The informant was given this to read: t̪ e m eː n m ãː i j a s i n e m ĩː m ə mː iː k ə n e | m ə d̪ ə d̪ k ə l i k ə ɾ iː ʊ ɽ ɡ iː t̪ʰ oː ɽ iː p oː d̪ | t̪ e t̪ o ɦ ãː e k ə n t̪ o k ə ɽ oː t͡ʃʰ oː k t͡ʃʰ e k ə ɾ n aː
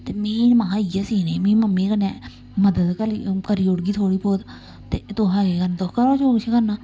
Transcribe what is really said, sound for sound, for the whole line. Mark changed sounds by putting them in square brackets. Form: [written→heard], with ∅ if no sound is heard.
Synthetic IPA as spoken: t̪ e m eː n m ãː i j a s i n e m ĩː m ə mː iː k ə n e | m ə d̪ ə d̪ k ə l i k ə ɾ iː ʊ ɽ ɡ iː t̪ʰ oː ɽ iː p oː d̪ | t̪ e t̪ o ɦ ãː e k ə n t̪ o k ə [ɽ→ɾ] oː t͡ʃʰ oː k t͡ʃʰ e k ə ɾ n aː